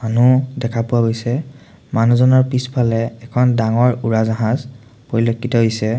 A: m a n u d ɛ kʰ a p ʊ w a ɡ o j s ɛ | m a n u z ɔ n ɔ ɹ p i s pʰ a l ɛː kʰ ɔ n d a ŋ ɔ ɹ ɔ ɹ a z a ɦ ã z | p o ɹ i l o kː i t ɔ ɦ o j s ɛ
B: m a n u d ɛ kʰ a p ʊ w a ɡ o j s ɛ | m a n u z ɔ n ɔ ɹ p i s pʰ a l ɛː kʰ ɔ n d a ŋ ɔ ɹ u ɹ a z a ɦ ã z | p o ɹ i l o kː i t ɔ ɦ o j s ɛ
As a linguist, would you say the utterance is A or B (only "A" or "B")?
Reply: B